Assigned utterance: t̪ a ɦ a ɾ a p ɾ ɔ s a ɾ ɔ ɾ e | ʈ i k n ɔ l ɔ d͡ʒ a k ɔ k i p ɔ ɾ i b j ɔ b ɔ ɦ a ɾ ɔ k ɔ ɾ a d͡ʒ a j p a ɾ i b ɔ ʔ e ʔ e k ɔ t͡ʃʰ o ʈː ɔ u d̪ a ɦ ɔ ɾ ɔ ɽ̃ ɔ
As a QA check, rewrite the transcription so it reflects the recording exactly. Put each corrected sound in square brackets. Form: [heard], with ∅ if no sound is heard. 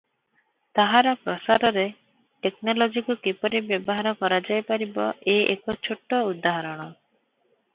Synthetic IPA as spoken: t̪ a ɦ a ɾ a p ɾ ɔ s a ɾ ɔ ɾ e | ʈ [e] k n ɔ l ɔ d͡ʒ [i] k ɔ k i p ɔ ɾ i b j ɔ b ɔ ɦ a ɾ ɔ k ɔ ɾ a d͡ʒ a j p a ɾ i b ɔ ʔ e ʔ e k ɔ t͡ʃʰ o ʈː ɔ u d̪ a ɦ ɔ ɾ ɔ ɽ̃ ɔ